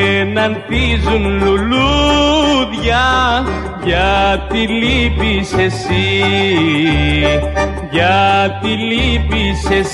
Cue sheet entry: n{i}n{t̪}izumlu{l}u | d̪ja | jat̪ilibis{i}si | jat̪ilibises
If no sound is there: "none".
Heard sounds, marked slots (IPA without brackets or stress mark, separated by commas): a, t̪, l, e